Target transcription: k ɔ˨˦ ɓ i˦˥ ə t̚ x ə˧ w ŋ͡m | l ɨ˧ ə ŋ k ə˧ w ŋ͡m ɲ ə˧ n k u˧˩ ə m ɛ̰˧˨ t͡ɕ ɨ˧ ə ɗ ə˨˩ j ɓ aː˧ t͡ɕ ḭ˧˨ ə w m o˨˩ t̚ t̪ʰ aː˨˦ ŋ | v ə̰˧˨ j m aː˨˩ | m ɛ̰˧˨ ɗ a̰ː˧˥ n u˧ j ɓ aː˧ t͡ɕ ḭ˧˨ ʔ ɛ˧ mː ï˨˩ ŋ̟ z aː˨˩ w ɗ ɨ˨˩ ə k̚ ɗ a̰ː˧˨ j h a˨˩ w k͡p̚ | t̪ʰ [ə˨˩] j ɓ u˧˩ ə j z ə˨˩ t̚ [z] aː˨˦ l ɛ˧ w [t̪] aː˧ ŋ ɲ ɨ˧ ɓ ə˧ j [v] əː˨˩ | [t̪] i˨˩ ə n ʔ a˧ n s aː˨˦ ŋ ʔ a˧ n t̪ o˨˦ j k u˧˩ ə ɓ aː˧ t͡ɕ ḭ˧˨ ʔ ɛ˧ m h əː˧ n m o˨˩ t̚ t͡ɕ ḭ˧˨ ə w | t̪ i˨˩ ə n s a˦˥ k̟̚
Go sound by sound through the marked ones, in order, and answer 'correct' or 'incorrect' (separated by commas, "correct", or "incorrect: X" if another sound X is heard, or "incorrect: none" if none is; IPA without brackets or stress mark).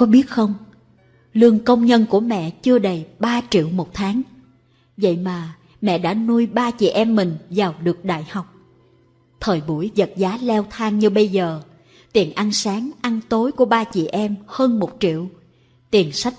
incorrect: əː˨˩, correct, incorrect: t̪ʰ, incorrect: z, correct